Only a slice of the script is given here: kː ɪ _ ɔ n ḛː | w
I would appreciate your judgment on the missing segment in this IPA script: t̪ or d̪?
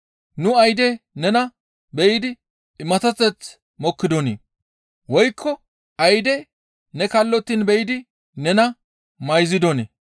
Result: d̪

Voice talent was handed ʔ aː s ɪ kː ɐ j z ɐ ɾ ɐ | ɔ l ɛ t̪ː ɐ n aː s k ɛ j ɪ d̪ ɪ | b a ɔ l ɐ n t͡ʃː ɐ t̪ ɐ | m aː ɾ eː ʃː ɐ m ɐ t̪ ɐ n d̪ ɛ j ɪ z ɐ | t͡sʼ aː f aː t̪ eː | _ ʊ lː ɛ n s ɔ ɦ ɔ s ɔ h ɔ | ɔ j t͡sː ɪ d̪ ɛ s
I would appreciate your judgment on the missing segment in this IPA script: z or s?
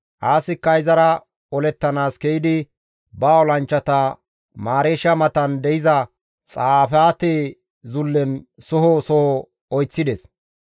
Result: z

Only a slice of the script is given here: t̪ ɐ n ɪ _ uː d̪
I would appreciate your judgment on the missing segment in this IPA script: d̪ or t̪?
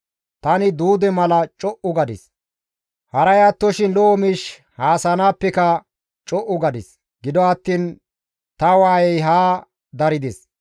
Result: d̪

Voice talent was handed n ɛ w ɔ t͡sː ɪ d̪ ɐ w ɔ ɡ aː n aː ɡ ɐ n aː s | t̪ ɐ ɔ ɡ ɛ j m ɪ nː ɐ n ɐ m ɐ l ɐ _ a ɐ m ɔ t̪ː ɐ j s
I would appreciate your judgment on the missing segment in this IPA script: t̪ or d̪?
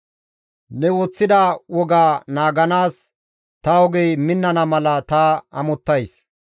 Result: t̪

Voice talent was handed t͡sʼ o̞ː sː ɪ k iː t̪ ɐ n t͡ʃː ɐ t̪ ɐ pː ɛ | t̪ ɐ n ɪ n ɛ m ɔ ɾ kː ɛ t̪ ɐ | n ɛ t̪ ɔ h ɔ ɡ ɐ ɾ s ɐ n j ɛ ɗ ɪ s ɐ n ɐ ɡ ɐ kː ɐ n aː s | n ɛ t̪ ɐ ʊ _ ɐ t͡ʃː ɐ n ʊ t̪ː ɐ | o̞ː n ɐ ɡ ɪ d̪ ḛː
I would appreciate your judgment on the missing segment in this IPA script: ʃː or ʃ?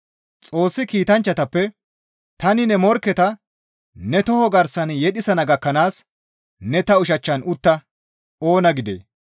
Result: ʃ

